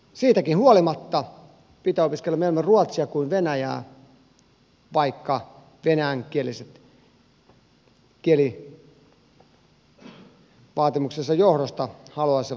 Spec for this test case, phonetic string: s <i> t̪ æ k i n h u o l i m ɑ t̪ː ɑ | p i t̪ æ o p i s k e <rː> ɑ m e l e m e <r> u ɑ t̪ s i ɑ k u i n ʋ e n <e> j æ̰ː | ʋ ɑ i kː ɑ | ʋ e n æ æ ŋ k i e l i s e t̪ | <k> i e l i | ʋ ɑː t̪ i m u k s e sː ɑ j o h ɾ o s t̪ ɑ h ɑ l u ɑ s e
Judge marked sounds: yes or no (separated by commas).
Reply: no, no, yes, no, yes